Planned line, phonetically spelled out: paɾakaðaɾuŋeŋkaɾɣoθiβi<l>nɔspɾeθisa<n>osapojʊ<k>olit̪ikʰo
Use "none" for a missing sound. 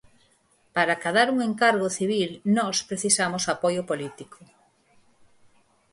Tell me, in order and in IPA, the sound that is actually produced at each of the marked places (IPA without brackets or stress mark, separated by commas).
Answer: l, m, p